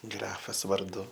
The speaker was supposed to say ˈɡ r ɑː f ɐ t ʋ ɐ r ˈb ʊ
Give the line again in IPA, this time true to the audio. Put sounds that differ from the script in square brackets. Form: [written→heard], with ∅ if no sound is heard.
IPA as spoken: ˈɡ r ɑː f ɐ [t→s] ʋ ɐ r [ˈb→ˈd] ʊ

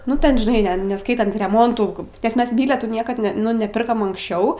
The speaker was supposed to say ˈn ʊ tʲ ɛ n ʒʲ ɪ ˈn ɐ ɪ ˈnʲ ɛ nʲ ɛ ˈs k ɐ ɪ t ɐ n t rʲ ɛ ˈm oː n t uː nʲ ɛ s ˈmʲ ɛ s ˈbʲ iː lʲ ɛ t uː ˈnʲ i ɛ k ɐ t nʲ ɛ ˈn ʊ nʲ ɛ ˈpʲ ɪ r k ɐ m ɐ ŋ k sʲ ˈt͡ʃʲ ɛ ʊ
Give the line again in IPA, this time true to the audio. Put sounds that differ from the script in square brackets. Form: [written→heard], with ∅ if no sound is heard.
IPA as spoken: ˈn ʊ tʲ ɛ n ʒʲ ɪ ˈn ɐ ɪ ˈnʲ ɛ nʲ ɛ ˈs k ɐ ɪ t ɐ n t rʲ ɛ ˈm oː n t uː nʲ ɛ s ˈmʲ ɛ s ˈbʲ iː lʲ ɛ t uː ˈnʲ i ɛ k ɐ t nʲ ɛ ˈn ʊ nʲ ɛ ˈpʲ ɪ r k ɐ m ɐ ŋ k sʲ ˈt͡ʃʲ ɛ ʊ

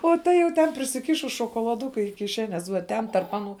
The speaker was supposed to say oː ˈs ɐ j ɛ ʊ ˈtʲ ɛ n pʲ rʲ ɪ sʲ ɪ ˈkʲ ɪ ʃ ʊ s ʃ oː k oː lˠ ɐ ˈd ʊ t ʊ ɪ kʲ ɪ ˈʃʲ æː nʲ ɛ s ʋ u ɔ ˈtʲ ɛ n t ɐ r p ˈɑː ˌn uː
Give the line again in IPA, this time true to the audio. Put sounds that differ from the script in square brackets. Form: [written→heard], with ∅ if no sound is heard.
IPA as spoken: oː [ˈs→ˈt] ɐ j ɛ ʊ ˈtʲ ɛ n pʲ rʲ ɪ sʲ ɪ ˈkʲ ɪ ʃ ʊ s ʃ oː k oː lˠ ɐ ˈd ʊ [t→k] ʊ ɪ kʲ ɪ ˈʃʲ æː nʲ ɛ s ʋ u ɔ ˈtʲ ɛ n t ɐ r p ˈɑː ˌn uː

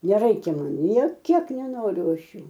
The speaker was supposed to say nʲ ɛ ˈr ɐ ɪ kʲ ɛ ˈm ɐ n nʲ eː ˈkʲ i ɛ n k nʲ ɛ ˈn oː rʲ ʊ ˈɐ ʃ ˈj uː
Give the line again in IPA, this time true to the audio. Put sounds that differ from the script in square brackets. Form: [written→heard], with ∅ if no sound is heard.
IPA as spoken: nʲ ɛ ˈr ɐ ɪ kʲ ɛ ˈm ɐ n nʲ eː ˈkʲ i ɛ [n→∅] k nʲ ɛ ˈn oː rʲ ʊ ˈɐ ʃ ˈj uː

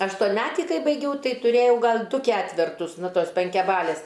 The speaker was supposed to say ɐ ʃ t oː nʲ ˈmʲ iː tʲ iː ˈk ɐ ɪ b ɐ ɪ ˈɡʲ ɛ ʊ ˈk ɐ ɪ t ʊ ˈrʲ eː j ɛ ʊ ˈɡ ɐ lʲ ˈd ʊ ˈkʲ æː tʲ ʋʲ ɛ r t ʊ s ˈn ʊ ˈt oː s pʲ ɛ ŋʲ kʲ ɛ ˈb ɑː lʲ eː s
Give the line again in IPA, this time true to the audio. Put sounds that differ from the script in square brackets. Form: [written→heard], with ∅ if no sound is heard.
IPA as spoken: ɐ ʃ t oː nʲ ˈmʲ [iː→æː] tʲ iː ˈk ɐ ɪ b ɐ ɪ ˈɡʲ ɛ ʊ [ˈk→ˈt] ɐ ɪ t ʊ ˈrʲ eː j ɛ ʊ ˈɡ ɐ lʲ ˈd ʊ ˈkʲ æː tʲ ʋʲ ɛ r t ʊ s ˈn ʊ ˈt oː s pʲ ɛ ŋʲ kʲ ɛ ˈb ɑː lʲ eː s

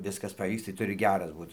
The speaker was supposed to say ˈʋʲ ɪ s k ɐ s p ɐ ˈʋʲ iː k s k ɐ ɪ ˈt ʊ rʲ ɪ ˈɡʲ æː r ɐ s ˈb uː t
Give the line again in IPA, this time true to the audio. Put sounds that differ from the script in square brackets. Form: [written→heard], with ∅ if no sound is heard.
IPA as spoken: ˈʋʲ ɪ s k ɐ s p ɐ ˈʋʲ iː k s [k→t] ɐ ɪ ˈt ʊ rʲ ɪ ˈɡʲ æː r ɐ s ˈb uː t

